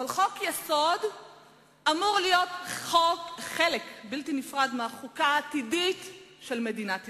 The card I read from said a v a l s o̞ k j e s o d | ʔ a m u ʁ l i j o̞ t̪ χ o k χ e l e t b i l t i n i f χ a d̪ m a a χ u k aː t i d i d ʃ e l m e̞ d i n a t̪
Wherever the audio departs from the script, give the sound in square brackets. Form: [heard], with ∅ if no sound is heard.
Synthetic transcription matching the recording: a v a l [χ] o̞ k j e s o d | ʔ a m u ʁ l i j o̞ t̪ χ o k χ e l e [k] b i l t i n i f [ʁ] a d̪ m [e] a χ u k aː t i d i [t] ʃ e l m e̞ d i n a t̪